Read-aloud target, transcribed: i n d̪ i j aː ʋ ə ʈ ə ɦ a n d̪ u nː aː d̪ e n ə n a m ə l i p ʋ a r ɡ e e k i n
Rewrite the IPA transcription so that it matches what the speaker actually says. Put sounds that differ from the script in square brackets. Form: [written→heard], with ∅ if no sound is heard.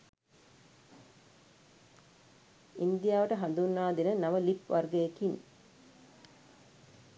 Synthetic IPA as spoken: i n d̪ i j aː ʋ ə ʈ ə ɦ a n d̪ u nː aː d̪ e n ə n a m ə l i p ʋ a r ɡ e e k i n